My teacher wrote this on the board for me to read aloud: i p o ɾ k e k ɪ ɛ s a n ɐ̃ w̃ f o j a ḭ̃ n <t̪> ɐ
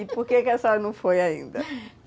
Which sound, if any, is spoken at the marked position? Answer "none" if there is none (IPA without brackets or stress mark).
d̪